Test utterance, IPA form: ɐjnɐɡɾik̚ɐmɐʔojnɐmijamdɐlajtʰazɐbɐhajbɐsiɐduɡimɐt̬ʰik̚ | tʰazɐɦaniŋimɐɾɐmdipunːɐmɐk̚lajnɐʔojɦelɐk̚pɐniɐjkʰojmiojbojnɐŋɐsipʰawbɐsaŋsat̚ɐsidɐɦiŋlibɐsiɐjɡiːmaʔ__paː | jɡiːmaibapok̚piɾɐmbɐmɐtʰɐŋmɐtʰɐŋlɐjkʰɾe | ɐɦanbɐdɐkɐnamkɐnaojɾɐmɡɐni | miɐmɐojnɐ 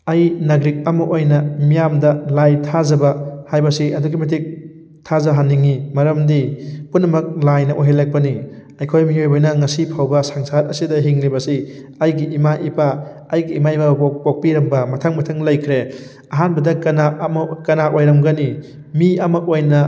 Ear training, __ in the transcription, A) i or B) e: A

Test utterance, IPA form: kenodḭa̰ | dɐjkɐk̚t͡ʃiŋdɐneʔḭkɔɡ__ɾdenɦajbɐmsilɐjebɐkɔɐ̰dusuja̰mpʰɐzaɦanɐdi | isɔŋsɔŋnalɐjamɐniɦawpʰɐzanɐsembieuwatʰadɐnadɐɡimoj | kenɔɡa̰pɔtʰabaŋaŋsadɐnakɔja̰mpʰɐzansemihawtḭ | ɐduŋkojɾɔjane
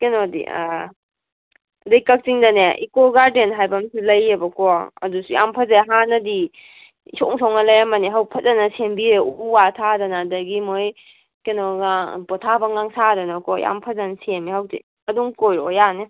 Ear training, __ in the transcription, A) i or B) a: B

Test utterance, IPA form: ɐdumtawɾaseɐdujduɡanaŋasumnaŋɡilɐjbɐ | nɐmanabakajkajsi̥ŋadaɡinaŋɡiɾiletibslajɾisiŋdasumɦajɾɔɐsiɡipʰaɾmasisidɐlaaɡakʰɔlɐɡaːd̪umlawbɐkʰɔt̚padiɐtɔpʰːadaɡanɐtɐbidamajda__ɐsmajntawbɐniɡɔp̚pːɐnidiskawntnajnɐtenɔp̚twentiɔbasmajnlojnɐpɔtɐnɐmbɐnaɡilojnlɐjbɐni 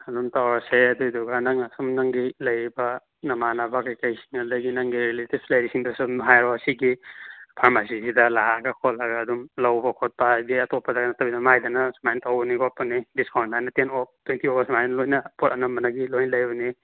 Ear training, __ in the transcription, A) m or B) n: B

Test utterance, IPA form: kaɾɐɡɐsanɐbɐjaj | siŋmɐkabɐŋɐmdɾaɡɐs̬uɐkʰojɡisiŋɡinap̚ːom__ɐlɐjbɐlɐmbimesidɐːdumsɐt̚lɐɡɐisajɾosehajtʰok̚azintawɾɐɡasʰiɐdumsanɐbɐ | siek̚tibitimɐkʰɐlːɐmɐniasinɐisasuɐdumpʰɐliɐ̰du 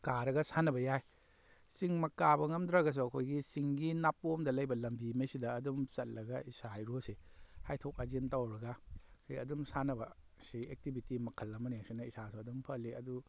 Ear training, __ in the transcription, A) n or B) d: B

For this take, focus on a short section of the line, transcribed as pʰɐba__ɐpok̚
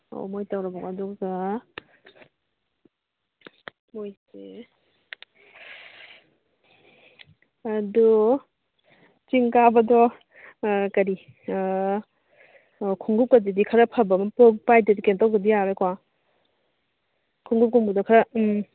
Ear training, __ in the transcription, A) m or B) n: A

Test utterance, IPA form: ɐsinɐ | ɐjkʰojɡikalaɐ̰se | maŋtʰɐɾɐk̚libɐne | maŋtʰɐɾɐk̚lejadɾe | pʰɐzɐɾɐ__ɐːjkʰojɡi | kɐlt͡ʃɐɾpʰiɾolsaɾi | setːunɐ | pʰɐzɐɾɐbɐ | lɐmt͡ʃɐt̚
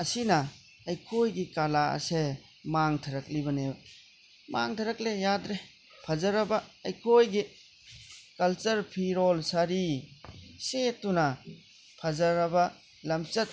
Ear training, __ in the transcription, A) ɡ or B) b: B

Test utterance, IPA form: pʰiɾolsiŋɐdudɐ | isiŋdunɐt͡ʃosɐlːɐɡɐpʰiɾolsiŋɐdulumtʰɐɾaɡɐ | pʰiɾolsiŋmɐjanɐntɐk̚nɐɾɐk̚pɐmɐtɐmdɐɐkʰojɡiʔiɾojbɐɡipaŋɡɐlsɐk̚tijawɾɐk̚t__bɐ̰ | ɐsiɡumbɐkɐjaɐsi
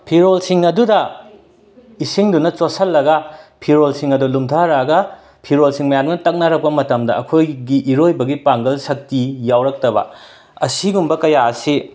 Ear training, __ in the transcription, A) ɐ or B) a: A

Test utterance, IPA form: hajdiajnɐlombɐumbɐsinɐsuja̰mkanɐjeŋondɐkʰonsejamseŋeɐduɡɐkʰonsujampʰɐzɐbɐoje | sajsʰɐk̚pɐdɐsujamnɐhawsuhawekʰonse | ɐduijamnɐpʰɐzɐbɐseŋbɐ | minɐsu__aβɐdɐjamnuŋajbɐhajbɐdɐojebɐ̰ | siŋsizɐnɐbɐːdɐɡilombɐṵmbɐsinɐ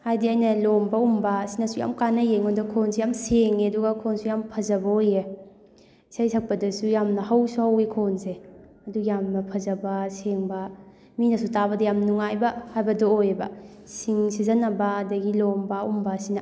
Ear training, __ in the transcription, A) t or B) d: A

